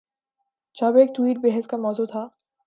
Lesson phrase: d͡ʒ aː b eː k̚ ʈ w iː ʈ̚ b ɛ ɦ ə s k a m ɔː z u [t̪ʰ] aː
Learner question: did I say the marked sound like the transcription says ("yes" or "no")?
yes